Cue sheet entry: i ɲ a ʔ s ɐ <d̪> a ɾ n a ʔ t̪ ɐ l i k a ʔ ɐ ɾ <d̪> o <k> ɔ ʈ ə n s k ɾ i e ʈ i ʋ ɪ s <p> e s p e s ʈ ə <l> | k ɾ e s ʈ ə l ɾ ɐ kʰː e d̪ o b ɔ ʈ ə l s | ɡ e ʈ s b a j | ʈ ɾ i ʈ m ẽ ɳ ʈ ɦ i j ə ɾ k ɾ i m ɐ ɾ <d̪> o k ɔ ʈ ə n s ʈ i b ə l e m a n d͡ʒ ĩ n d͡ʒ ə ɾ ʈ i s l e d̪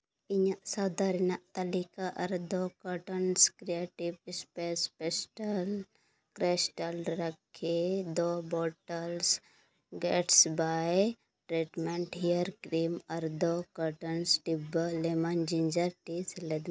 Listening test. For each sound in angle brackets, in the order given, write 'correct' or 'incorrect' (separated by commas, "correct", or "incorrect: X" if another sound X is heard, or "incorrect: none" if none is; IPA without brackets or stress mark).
correct, correct, correct, correct, correct, correct